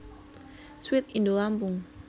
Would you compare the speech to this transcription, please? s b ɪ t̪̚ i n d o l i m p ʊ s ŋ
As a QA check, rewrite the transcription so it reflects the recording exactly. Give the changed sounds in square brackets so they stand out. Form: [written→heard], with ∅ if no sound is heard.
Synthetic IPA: s [b→w] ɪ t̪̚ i n d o l [i→a] m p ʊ [s→∅] ŋ